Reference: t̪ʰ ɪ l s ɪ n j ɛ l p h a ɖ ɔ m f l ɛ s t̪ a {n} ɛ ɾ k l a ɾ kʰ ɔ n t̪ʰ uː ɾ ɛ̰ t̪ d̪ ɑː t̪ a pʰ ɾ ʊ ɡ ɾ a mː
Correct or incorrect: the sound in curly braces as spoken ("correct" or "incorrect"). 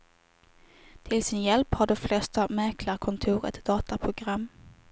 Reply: incorrect